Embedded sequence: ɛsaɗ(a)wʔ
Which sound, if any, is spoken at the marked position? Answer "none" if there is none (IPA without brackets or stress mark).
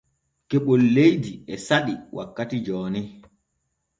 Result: i